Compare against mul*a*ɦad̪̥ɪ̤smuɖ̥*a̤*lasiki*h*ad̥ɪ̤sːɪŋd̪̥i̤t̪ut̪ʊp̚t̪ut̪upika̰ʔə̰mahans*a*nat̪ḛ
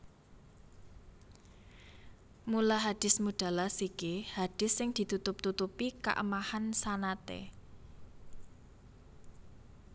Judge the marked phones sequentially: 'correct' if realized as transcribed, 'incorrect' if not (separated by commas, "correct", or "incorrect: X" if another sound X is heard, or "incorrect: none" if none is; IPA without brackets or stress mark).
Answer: correct, correct, correct, correct